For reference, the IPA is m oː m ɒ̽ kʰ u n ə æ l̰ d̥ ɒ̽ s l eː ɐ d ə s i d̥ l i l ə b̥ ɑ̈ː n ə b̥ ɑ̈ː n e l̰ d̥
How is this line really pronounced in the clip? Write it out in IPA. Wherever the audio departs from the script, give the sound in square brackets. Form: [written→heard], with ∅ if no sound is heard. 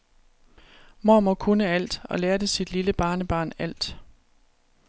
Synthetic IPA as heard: m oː m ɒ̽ kʰ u n ə æ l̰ d̥ ɒ̽ [s→∅] l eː ɐ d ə s i d̥ l i l ə b̥ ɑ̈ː n ə b̥ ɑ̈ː n [e→æ] l̰ d̥